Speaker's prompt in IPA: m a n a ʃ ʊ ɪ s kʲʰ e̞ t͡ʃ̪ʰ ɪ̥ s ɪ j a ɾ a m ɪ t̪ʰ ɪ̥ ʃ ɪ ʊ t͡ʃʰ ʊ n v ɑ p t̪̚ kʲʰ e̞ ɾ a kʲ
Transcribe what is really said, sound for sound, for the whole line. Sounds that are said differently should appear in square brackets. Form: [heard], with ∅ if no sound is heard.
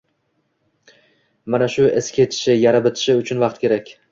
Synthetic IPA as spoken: m a n a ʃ ʊ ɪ s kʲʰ e̞ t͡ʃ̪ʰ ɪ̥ [ʃ] ɪ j a ɾ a [b] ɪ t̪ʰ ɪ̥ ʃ ɪ ʊ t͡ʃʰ ʊ n v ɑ [q] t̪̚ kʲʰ e̞ ɾ a kʲ